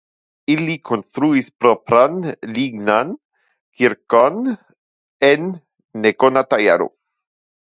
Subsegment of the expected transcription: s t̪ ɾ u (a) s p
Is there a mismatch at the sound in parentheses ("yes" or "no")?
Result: yes